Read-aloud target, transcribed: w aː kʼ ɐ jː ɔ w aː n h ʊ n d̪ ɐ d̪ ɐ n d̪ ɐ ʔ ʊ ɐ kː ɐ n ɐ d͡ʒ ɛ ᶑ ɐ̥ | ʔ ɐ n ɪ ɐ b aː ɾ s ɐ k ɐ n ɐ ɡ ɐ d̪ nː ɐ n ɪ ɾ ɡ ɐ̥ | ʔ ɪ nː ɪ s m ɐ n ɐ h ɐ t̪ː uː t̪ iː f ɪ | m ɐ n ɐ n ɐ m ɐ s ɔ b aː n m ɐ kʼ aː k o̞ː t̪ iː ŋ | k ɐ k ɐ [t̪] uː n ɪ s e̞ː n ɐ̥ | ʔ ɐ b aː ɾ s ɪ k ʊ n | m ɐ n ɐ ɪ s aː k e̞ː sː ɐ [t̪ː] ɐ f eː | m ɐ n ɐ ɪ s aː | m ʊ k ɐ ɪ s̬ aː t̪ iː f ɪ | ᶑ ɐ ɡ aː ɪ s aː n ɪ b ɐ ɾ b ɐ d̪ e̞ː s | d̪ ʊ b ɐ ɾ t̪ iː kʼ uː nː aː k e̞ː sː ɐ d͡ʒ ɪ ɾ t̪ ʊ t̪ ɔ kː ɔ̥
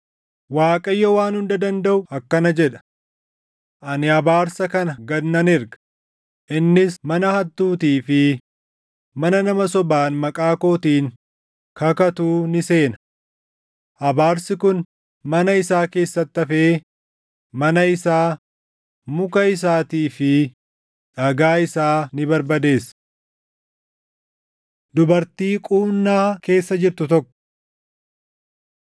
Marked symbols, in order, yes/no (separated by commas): yes, yes